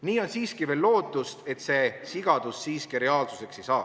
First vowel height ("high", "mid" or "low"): high